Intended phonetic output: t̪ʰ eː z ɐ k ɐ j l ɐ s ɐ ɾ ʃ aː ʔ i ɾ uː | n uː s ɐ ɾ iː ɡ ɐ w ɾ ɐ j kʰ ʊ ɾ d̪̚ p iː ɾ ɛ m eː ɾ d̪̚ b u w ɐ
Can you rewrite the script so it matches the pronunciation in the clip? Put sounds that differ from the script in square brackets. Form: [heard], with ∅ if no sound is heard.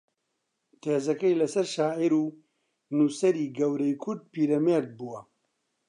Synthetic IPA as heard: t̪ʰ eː z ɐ k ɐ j l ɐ s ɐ ɾ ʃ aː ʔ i ɾ uː | n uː s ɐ ɾ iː ɡ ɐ w ɾ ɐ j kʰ ʊ ɾ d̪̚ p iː ɾ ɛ m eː ɾ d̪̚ b u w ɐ